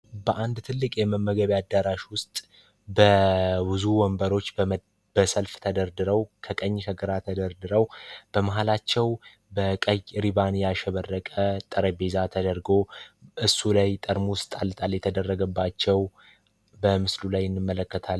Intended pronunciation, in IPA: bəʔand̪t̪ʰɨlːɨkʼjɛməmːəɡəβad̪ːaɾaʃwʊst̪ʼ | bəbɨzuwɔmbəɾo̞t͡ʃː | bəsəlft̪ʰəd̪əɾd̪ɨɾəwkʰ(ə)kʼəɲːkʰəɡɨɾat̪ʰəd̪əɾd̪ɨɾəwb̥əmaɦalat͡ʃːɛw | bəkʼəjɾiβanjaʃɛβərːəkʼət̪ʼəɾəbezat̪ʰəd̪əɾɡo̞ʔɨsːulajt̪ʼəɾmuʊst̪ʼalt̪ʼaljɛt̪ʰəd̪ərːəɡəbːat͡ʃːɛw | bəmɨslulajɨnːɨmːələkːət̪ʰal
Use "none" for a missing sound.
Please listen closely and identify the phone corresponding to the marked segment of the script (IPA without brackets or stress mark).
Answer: ə